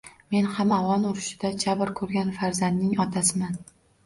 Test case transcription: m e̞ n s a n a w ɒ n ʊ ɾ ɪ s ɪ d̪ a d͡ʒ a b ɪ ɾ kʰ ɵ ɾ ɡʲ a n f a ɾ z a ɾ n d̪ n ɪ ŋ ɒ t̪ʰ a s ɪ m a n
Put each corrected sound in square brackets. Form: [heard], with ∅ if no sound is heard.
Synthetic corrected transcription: m e̞ n [h] a [m] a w ɒ n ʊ ɾ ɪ [ʃ] ɪ d̪ a d͡ʒ a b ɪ ɾ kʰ ɵ ɾ ɡʲ a n f a ɾ z a [∅] n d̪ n ɪ ŋ ɒ t̪ʰ a s ɪ m a n